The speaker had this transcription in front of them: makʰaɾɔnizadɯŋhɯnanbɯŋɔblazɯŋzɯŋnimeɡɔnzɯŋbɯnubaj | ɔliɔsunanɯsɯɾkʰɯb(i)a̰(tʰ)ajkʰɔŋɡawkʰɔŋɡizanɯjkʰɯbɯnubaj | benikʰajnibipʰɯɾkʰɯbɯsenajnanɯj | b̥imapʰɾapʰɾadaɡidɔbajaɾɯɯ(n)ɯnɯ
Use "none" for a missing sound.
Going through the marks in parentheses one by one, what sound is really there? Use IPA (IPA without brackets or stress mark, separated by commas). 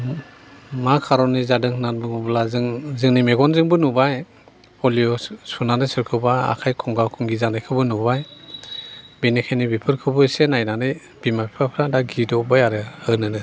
a, kʰ, n